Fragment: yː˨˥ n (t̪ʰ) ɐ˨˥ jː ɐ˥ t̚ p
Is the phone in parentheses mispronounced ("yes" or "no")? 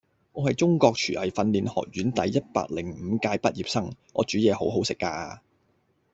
yes